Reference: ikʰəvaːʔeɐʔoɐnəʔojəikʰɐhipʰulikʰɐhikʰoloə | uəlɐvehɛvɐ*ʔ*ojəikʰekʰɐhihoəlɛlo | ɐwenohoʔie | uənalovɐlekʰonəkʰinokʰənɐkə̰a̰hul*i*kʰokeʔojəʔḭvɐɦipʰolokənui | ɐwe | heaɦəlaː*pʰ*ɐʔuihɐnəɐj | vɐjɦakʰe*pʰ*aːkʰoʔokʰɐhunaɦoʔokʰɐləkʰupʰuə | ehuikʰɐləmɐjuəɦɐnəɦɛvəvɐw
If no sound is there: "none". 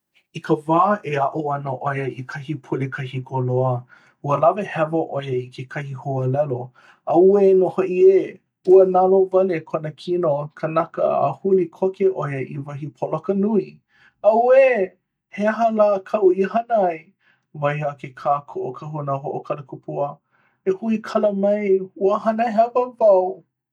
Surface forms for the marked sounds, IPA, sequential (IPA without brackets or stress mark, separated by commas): ʔ, i, kʰ, kʰ